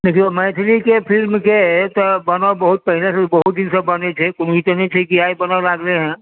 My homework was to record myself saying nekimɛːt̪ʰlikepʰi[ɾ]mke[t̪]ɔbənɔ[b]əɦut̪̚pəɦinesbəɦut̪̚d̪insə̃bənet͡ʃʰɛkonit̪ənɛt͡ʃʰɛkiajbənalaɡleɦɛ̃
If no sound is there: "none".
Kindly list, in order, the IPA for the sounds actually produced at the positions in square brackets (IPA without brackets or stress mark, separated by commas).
l, t̪, b